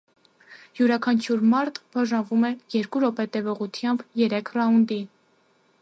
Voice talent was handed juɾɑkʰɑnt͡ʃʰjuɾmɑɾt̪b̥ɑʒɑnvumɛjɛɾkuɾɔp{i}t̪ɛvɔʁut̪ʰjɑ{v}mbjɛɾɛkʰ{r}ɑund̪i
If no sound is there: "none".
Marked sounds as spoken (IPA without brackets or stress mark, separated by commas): ɛ, none, r